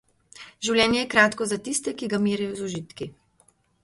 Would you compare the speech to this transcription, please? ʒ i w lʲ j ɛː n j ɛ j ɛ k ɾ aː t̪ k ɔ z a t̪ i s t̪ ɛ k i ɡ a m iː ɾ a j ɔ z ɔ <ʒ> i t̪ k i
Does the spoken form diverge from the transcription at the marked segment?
no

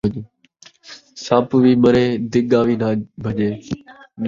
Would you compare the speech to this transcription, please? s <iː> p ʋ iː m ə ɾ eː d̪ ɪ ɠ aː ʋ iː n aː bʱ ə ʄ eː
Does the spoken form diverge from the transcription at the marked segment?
yes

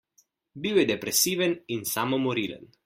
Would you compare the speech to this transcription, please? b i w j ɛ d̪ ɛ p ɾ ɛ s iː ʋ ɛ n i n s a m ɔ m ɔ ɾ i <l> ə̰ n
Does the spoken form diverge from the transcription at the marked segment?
no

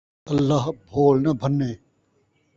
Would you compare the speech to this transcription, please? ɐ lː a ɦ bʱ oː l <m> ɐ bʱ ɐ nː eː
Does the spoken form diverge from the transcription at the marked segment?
yes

